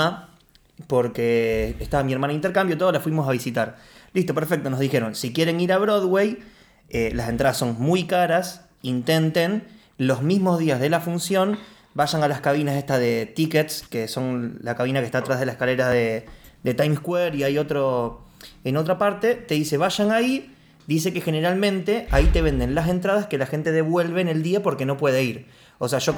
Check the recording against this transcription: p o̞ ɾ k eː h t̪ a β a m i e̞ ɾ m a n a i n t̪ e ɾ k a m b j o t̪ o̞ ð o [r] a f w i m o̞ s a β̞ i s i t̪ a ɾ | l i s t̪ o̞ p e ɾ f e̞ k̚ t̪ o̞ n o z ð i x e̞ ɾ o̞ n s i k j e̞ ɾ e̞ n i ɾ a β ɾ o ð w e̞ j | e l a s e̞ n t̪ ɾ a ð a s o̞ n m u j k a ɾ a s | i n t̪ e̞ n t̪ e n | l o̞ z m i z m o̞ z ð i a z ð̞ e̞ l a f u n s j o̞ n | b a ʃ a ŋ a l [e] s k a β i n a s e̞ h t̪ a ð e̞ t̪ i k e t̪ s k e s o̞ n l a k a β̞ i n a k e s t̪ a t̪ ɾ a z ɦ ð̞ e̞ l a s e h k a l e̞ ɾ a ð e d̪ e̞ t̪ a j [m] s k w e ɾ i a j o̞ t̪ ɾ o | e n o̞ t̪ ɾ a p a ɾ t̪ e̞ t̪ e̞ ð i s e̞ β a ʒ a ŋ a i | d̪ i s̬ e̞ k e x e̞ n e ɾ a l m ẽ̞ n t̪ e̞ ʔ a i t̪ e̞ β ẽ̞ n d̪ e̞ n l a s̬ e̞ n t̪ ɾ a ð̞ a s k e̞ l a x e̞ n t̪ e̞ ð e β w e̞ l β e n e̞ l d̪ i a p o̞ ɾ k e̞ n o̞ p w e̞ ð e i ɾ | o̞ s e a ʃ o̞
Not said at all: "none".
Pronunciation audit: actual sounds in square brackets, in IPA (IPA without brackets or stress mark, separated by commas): l, a, m